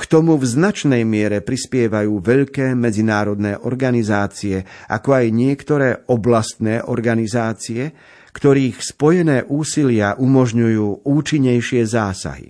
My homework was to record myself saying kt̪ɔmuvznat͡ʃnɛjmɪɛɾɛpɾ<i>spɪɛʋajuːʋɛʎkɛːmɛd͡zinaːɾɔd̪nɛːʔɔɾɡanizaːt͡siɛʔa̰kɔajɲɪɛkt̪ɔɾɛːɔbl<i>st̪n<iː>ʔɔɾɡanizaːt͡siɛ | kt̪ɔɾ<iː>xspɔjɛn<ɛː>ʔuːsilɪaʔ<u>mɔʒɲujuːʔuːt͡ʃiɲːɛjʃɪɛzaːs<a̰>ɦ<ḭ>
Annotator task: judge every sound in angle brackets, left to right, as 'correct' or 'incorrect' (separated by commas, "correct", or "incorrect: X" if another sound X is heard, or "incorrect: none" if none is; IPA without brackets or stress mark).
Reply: correct, incorrect: a, incorrect: ɛː, correct, correct, correct, correct, correct